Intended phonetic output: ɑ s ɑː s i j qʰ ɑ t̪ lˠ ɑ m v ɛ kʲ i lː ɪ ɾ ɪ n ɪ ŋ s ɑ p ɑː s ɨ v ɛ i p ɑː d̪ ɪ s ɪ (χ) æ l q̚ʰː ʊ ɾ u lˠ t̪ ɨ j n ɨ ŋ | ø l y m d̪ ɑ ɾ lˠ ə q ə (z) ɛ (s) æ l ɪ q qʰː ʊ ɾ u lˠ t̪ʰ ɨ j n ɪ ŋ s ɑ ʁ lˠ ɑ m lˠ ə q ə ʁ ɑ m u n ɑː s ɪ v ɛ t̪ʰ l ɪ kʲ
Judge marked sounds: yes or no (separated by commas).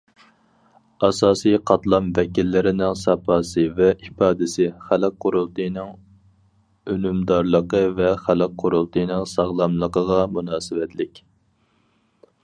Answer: yes, no, no